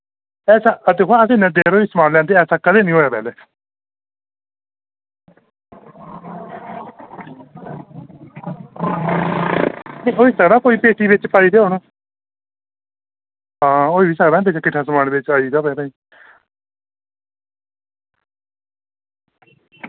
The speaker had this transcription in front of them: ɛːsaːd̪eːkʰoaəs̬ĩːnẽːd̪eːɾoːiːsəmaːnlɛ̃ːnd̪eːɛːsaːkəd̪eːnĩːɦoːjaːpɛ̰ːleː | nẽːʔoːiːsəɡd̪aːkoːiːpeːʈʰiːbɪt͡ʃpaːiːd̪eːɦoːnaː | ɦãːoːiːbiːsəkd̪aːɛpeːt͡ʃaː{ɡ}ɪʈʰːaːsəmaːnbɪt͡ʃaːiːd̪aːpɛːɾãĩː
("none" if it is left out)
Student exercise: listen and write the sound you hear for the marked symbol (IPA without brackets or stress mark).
k